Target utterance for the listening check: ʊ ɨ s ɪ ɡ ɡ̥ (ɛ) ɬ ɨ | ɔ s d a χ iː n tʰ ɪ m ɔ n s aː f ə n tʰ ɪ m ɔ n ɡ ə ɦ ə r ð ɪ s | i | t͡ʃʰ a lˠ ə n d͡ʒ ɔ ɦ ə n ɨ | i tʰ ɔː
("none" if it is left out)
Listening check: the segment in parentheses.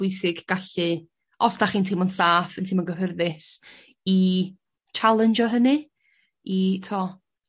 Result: a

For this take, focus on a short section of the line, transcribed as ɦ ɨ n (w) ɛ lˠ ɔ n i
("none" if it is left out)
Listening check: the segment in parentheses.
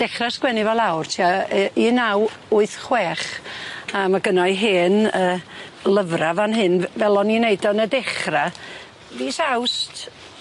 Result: v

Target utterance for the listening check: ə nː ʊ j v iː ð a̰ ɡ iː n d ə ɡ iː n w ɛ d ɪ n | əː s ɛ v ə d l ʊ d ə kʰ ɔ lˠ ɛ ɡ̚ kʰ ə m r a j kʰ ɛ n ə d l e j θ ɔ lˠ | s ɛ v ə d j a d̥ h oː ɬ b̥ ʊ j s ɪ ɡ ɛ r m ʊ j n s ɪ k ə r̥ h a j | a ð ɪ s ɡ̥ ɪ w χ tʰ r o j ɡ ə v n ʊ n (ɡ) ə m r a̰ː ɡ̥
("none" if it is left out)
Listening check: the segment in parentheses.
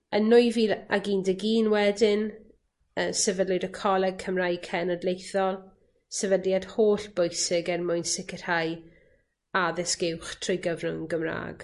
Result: ɡ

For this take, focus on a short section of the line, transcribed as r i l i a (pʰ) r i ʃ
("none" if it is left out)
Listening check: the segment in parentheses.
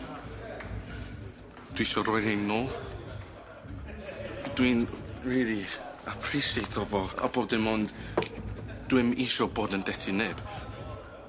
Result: pʰ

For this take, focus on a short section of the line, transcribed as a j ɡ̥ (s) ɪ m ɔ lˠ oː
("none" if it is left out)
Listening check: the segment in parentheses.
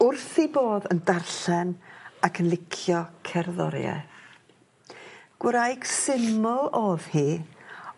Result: s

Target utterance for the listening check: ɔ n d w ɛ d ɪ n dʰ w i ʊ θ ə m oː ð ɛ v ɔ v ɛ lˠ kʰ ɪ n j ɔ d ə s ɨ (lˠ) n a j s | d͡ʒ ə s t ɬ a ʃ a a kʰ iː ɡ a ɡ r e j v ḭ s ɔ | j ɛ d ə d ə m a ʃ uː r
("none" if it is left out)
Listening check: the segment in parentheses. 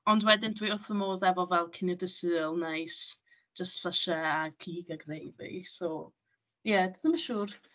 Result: lˠ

